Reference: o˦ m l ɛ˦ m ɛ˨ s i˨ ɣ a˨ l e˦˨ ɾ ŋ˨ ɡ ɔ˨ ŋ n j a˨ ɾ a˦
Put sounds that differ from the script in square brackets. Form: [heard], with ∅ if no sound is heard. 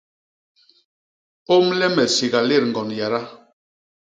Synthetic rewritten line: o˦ m l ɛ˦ m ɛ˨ s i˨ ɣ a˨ l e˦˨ ɾ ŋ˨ ɡ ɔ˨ [∅] n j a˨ ɾ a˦